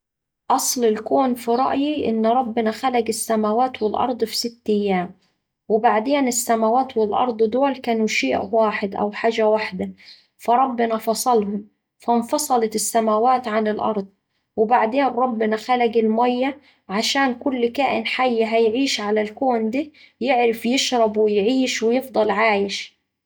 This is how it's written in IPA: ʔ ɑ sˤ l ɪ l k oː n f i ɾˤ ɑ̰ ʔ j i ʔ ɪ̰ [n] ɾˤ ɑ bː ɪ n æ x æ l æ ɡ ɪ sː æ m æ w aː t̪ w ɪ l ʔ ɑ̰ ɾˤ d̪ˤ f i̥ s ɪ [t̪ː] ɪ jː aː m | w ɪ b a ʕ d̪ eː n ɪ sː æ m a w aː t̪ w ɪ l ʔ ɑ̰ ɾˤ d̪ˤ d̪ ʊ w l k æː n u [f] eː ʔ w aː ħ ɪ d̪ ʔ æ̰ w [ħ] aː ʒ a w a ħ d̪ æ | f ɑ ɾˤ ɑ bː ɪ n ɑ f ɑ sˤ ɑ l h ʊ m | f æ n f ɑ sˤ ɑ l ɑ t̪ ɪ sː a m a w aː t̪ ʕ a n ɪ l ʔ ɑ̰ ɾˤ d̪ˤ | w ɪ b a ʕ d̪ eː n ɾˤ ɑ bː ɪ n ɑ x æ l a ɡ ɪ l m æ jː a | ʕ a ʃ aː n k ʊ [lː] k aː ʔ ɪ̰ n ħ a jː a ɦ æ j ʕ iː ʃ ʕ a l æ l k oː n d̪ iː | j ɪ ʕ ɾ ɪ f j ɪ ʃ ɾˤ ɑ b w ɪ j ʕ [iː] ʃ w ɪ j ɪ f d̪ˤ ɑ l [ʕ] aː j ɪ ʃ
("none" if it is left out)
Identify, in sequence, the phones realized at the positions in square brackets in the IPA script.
nː, t̪ː, ʃ, ħ, lː, iː, ʕ

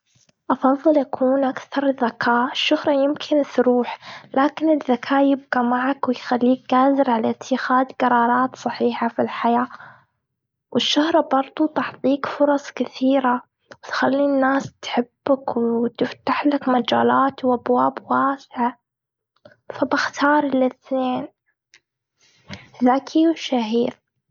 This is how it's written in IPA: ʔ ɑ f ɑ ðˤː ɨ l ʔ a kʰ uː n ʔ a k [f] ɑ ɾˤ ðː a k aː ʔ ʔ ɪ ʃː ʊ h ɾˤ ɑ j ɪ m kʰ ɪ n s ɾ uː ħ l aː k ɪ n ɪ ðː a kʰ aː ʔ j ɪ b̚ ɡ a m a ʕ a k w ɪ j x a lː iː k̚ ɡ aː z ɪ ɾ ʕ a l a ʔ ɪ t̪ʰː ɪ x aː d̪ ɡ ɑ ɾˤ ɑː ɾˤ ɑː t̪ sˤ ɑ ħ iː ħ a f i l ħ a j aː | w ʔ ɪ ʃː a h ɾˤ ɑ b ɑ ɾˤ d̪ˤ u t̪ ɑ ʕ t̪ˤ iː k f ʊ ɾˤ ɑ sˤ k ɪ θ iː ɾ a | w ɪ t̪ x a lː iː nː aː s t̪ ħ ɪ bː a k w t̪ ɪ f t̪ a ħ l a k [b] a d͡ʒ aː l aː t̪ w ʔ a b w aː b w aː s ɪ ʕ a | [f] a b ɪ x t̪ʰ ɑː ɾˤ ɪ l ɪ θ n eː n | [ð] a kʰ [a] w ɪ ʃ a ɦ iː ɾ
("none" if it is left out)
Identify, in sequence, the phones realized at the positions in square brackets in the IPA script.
θ, m, f, ð, i

